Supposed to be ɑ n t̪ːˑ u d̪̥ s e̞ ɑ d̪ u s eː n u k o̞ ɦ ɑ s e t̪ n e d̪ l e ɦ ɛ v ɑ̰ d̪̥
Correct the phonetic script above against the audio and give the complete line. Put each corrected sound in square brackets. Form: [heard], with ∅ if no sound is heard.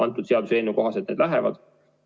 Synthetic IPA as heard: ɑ n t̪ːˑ u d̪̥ s e̞ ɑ d̪ u s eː n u k o̞ ɦ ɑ s e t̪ n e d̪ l [æ] ɦ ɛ v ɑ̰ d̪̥